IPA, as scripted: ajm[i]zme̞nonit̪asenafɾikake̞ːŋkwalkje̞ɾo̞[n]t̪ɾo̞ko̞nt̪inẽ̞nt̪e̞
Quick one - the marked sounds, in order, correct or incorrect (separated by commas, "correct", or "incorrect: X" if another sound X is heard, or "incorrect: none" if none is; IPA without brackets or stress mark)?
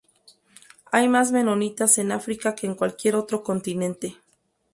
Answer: incorrect: a, incorrect: none